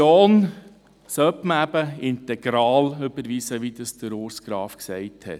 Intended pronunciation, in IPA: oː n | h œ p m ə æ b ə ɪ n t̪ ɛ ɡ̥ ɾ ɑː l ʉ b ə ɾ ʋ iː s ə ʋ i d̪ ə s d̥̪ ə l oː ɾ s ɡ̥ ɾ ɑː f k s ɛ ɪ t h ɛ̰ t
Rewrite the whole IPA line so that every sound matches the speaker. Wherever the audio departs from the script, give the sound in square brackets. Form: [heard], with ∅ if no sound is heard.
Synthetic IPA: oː n | [s] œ p m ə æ b ə ɪ n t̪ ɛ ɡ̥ ɾ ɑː l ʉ b ə ɾ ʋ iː s ə ʋ i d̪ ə s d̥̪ ə [ɾ] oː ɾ s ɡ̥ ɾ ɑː f k s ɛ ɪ t h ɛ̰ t